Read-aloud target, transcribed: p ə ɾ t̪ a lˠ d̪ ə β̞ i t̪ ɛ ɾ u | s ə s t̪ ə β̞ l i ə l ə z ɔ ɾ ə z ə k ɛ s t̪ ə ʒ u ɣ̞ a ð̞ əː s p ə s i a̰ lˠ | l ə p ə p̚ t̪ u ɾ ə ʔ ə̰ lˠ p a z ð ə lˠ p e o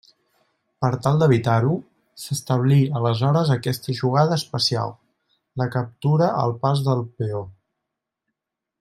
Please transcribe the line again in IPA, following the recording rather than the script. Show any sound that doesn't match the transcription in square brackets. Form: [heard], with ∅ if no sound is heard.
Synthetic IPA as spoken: p ə ɾ t̪ a lˠ d̪ ə β̞ i t̪ [a] ɾ u | s ə s t̪ ə β̞ l i ə l ə z ɔ ɾ ə z ə k ɛ s t̪ ə ʒ u ɣ̞ a ð̞ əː s p ə s i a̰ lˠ | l ə [k] ə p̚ t̪ u ɾ ə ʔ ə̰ lˠ p a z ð ə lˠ p e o